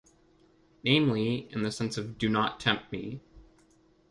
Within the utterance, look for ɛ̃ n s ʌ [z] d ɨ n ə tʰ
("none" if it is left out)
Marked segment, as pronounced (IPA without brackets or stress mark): v